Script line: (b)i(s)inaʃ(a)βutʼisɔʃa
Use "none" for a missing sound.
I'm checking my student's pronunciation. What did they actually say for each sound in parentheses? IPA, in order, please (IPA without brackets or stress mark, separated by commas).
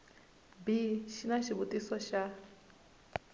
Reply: b, ʃ, i